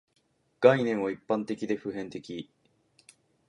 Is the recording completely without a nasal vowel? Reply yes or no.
no